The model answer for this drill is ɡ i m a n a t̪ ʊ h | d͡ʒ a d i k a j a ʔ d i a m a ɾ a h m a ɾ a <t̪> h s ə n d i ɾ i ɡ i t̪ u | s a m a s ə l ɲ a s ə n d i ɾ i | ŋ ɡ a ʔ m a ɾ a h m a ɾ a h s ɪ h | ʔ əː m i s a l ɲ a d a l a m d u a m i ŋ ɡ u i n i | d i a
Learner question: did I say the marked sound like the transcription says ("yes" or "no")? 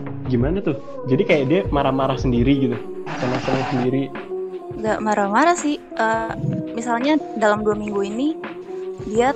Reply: no